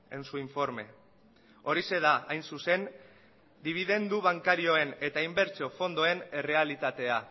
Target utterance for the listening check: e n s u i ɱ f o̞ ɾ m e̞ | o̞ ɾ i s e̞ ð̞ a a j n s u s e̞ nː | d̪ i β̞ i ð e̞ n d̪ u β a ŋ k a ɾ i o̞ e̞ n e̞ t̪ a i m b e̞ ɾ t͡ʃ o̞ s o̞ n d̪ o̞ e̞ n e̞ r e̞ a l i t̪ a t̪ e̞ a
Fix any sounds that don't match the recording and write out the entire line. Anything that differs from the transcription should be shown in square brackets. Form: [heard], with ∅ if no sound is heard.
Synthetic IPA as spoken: e n s u i ɱ f o̞ ɾ m e̞ | o̞ ɾ i s e̞ ð̞ a a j n s u s e̞ [n] | d̪ i β̞ i ð e̞ n d̪ u β a ŋ k a ɾ i o̞ e̞ n e̞ t̪ a i m b e̞ ɾ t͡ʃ o̞ [f] o̞ n d̪ o̞ e̞ n e̞ r e̞ a l i t̪ a t̪ e̞ a